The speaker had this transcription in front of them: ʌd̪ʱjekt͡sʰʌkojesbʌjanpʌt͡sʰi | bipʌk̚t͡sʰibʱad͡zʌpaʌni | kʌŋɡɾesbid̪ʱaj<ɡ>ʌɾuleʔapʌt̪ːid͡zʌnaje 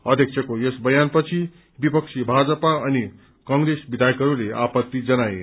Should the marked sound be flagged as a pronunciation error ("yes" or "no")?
yes